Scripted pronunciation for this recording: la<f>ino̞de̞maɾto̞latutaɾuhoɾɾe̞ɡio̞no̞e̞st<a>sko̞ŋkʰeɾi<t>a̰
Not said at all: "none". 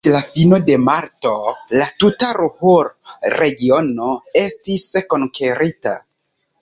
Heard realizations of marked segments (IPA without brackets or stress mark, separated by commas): f, i, t